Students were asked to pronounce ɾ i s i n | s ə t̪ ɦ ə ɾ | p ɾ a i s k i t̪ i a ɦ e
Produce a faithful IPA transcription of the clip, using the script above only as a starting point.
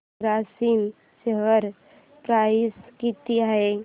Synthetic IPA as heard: ɾ a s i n | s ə ɦ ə ɾ | p ɾ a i s k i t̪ i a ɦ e